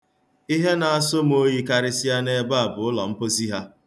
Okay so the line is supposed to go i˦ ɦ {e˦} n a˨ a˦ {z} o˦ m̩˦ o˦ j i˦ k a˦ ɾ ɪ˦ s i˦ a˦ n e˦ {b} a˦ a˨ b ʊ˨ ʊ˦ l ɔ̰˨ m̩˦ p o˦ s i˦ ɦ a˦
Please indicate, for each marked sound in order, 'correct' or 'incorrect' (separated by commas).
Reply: correct, incorrect, correct